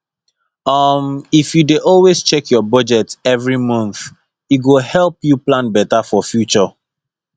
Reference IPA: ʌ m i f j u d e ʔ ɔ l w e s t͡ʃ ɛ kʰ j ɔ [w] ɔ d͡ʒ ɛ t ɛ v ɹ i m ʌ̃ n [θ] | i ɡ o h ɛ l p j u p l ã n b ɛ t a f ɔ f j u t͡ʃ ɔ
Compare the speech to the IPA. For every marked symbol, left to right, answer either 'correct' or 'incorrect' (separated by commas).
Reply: incorrect, correct